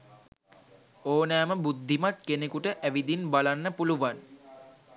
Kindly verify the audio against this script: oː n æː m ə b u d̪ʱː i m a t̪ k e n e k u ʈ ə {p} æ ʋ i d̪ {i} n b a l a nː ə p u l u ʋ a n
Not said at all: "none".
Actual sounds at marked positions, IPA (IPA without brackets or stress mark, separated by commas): ʔ, i